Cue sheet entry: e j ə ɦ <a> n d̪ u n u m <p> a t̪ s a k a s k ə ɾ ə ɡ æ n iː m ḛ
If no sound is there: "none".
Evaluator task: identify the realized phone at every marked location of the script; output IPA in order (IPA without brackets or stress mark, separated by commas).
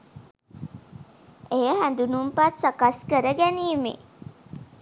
æ, p